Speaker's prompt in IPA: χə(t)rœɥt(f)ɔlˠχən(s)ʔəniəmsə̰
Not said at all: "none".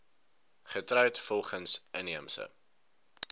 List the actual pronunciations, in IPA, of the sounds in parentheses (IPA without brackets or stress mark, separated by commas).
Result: t, f, s